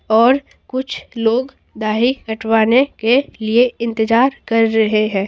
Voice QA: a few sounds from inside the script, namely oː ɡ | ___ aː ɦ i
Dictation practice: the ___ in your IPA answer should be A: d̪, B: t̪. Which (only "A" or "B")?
A